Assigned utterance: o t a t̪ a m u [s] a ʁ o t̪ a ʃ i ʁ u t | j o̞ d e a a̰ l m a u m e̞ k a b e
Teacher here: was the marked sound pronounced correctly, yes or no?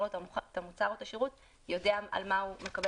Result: no